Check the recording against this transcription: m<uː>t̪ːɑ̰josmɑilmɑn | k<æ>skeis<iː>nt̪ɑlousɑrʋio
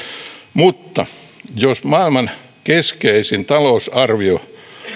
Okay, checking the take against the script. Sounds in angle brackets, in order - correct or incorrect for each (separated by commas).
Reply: incorrect, incorrect, incorrect